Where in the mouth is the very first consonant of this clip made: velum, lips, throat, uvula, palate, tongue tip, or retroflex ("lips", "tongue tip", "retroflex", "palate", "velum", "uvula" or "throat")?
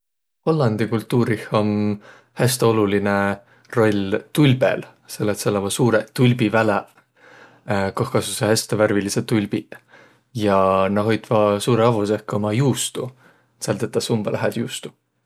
throat